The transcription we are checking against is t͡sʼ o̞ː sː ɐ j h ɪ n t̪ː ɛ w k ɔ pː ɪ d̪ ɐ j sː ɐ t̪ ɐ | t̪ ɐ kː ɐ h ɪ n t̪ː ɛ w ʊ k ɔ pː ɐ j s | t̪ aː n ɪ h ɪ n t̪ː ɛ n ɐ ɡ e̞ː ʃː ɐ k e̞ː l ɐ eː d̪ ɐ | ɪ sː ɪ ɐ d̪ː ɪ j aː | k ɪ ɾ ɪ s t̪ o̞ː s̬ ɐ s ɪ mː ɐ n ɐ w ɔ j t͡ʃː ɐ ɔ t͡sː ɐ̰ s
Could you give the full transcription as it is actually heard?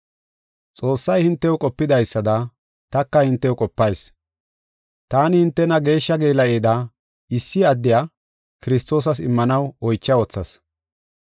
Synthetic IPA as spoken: t͡sʼ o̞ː sː ɐ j h ɪ n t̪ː ɛ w kʼ ɔ pː ɪ d̪ ɐ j sː ɐ d̪ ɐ | t̪ ɐ kː ɐ h ɪ n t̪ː ɛ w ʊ kʼ ɔ pː ɐ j s | t̪ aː n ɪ h ɪ n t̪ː ɛ n ɐ ɡ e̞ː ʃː ɐ ɡ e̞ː l ɐ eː d̪ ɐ | ɪ sː ɪ ɐ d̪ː ɪ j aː | k ɪ ɾ ɪ s t̪ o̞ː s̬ ɐ s ɪ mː ɐ n ɐ w ɔ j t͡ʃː ɐ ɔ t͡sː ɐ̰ s